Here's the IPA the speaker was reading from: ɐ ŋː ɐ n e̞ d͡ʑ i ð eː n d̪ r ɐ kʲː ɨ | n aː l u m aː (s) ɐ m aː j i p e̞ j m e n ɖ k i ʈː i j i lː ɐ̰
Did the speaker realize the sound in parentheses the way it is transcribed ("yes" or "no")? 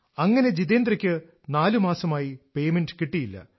yes